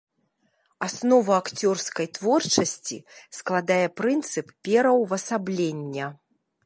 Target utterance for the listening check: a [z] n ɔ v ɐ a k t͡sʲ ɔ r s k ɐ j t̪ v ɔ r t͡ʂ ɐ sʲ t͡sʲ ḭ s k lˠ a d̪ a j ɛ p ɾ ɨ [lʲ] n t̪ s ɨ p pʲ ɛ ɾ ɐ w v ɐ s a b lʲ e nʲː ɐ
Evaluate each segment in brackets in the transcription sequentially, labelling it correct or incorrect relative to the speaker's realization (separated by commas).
incorrect, incorrect